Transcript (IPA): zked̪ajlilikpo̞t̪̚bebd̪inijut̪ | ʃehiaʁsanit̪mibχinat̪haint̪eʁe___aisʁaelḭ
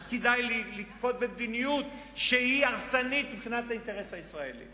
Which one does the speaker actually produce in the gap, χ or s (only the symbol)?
s